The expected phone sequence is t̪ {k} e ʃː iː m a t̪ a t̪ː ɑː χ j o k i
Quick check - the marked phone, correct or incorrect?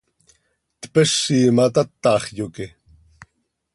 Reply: incorrect